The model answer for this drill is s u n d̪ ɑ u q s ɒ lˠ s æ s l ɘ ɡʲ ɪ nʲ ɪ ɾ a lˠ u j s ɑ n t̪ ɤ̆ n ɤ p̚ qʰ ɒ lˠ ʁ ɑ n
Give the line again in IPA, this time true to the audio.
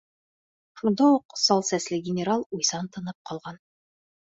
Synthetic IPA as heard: ʃ u n d̪ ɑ u q s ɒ lˠ s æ s l ɘ ɡʲ ɪ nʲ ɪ ɾ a lˠ u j s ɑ n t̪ ɤ̆ n ɤ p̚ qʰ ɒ lˠ ʁ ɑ n